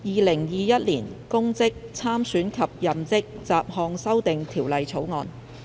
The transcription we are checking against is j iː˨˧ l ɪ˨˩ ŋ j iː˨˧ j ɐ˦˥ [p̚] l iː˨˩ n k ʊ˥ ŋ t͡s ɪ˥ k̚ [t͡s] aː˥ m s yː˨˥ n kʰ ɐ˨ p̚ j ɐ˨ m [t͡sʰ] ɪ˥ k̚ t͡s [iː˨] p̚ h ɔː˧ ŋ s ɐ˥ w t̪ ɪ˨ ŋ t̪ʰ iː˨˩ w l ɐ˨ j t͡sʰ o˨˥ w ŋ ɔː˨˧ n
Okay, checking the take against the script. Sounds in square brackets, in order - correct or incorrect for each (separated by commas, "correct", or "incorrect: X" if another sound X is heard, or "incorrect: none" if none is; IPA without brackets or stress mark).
incorrect: t̚, incorrect: t͡sʰ, incorrect: t͡s, incorrect: aː˨